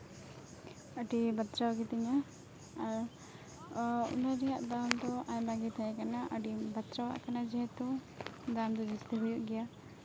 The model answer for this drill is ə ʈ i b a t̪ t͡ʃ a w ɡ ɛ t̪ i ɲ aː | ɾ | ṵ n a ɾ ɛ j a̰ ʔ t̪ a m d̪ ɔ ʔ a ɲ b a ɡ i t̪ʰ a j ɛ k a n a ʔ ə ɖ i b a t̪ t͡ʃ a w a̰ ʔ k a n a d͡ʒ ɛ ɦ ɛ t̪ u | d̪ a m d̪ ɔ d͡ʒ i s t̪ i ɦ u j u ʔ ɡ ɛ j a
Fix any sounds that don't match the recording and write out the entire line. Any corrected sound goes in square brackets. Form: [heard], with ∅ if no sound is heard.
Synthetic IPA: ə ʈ i b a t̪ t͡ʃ a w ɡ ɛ t̪ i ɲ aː | ɾ | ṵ n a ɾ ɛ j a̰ ʔ [d̪] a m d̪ ɔ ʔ a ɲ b a ɡ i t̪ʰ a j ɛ k a n a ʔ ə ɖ i b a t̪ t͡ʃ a w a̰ ʔ k a n a d͡ʒ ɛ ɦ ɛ t̪ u | d̪ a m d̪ ɔ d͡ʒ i s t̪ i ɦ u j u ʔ ɡ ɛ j a